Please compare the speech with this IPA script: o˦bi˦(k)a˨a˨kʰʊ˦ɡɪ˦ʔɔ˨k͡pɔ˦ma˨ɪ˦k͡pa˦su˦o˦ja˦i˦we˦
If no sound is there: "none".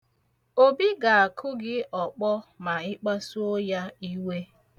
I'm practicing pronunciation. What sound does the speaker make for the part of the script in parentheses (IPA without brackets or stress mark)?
ɡ